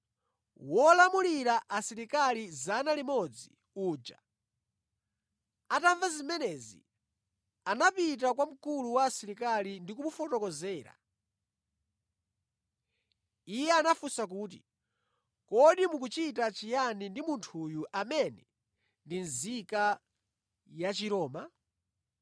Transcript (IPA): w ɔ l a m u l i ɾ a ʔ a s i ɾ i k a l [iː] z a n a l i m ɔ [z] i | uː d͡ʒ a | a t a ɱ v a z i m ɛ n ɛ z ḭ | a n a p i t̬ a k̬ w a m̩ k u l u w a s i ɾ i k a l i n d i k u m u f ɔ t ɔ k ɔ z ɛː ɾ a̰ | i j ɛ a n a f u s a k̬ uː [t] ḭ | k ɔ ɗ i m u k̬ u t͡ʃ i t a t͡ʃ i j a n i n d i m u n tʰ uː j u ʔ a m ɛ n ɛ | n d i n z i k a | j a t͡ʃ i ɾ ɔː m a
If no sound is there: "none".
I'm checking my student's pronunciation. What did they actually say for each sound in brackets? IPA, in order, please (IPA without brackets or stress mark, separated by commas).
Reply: i, d͡z, t